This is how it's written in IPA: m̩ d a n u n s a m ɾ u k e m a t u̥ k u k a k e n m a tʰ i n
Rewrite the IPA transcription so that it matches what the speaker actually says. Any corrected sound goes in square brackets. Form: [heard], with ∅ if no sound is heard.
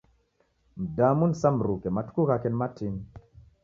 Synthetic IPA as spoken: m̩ d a [m] u n s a m ɾ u k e m a t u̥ k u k a k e n m a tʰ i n